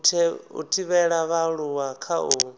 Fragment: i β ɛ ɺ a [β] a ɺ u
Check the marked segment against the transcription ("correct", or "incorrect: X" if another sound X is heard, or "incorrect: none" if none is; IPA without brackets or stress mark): correct